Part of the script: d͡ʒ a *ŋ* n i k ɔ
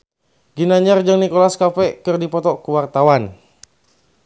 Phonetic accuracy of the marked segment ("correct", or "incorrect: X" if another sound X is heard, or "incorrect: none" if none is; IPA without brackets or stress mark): correct